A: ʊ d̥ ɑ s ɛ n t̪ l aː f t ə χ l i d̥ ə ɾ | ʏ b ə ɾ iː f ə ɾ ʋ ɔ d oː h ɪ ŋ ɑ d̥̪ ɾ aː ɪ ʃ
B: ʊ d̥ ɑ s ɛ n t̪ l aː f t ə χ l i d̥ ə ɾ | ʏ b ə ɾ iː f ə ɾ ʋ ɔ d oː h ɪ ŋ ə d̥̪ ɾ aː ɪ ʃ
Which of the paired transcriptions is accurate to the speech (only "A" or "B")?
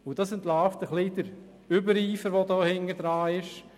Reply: B